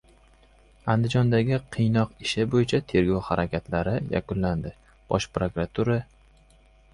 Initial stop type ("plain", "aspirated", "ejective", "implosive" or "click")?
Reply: plain